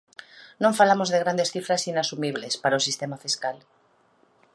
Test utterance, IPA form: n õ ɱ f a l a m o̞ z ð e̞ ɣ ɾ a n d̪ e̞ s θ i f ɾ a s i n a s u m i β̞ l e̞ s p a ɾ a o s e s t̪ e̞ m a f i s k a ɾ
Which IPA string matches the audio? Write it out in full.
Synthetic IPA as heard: n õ ɱ f a l a m o̞ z ð e̞ ɣ ɾ a n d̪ e̞ s θ i f ɾ a s i n a s u m i β̞ l e̞ s p a ɾ a o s i s t̪ e̞ m a f i s k a l

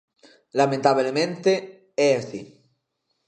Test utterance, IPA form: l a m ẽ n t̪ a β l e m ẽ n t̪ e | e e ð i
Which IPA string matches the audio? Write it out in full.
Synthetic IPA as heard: l a m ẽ n t̪ a β l e m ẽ n t̪ e | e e θ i

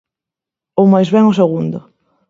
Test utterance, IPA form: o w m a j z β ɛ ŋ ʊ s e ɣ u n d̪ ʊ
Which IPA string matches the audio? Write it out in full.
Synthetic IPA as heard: o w m a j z β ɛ ŋ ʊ s e ɣ u n d̪ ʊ

